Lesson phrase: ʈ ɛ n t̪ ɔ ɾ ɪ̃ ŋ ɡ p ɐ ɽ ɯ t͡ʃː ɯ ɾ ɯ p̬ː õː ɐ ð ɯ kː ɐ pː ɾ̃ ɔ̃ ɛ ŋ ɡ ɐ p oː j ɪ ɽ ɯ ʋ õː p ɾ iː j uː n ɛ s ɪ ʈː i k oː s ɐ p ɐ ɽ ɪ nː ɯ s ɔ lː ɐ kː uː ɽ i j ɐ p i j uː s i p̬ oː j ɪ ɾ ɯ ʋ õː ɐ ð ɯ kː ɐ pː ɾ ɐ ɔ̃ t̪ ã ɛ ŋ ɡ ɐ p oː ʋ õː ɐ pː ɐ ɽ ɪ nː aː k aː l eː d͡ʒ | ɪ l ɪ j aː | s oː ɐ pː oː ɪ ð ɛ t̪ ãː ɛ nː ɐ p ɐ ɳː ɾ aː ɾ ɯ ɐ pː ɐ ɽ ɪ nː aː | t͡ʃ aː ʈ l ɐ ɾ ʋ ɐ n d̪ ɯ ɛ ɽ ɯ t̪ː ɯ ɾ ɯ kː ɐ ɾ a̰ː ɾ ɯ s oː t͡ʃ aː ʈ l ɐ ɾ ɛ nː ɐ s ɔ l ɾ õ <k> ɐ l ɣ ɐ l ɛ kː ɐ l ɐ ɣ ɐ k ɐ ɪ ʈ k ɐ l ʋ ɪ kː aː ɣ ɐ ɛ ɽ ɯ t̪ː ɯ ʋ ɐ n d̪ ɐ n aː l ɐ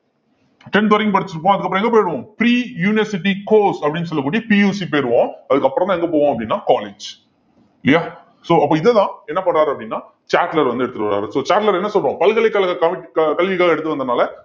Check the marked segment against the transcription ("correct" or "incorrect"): incorrect